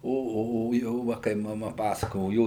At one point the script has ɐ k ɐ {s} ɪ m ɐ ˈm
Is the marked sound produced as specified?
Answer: no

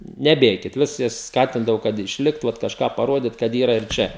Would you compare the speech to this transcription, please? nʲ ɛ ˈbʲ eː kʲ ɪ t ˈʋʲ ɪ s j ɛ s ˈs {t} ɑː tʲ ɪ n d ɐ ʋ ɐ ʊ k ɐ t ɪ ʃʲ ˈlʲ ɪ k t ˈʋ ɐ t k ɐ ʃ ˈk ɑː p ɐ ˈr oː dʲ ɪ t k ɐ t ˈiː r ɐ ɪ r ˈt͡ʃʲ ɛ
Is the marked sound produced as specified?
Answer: no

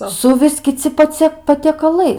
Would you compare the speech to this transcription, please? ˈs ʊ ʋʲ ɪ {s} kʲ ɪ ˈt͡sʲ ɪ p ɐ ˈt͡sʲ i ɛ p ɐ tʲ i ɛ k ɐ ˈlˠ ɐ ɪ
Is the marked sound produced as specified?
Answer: yes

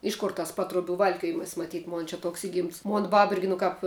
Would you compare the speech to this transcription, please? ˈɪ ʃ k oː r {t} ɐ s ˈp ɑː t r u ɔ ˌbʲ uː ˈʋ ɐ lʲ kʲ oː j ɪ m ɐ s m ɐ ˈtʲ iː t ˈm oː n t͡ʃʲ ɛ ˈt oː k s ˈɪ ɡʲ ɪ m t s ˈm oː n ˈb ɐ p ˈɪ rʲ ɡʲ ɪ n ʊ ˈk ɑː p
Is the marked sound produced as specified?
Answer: yes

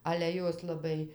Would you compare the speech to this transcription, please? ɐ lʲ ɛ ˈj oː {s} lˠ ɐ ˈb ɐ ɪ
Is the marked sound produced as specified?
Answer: yes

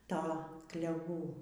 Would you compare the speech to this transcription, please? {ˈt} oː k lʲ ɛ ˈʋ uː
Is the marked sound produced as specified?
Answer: yes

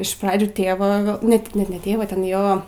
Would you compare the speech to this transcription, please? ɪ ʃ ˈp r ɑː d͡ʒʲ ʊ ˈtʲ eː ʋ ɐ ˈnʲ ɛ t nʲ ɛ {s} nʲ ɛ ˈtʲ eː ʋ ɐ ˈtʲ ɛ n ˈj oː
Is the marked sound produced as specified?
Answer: no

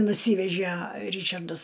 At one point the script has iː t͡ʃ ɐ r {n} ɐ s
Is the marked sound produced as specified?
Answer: no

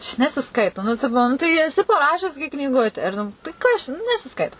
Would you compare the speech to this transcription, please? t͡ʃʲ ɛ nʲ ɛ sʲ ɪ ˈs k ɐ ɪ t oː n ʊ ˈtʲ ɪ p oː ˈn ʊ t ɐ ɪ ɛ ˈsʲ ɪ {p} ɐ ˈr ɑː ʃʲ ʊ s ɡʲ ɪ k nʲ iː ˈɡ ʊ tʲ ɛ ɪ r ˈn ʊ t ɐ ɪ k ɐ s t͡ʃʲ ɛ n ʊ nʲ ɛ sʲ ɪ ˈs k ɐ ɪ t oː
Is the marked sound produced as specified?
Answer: yes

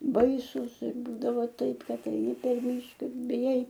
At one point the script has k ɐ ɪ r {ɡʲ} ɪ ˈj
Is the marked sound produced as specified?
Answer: no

